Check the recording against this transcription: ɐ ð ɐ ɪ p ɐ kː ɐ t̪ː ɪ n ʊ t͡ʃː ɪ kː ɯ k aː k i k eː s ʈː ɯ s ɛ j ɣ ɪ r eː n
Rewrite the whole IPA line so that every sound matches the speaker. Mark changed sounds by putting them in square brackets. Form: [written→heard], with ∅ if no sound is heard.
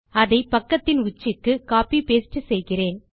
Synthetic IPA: ɐ ð ɐ ɪ p ɐ kː ɐ t̪ː ɪ n ʊ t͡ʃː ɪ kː ɯ k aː [k→p] i [k→p] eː s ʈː ɯ s ɛ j ɣ ɪ r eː n

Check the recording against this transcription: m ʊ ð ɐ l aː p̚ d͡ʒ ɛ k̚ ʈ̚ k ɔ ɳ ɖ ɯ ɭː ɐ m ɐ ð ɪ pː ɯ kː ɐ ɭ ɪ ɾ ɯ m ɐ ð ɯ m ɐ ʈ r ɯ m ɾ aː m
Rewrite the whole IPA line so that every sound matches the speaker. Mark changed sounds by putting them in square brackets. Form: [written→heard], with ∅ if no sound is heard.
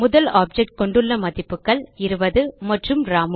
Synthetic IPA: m ʊ ð ɐ l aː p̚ d͡ʒ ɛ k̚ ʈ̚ k ɔ ɳ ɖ ɯ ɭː ɐ m ɐ ð ɪ pː ɯ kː ɐ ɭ ɪ ɾ ɯ [m→b] ɐ ð ɯ m ɐ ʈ r ɯ m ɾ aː m

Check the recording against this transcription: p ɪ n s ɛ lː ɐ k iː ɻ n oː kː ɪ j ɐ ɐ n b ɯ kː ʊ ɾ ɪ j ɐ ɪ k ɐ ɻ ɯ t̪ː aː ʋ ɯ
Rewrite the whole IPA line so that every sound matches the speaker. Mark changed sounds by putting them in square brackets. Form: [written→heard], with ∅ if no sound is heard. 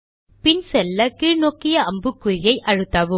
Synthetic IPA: p ɪ n s ɛ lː ɐ k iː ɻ n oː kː ɪ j ɐ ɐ [n→m] b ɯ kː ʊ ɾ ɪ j ɐ ɪ [k→ʔ] ɐ ɻ ɯ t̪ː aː ʋ ɯ

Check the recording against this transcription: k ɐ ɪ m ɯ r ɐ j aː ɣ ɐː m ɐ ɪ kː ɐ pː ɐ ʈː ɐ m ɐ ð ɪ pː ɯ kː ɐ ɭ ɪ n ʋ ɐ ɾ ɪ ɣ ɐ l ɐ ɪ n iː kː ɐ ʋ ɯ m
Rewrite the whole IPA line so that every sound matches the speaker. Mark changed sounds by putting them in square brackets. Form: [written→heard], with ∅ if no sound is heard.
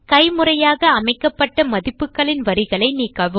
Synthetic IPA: k ɐ ɪ m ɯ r ɐ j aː ɣ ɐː m ɐ ɪ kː ɐ pː ɐ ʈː ɐ m ɐ ð ɪ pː ɯ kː ɐ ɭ ɪ n ʋ ɐ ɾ ɪ ɣ ɐ [l→ɭ] ɐ ɪ n iː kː ɐ ʋ ɯ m

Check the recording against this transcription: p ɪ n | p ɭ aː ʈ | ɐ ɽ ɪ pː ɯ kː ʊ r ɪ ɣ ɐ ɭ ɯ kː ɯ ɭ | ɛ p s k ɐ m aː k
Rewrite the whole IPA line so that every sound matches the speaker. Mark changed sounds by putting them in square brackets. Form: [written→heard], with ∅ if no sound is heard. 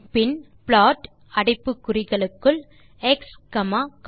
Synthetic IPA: p ɪ n | p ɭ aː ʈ | ɐ ɽ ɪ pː ɯ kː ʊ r ɪ ɣ ɐ ɭ ɯ kː ɯ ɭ | ɛ [p→k] s k ɐ m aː k

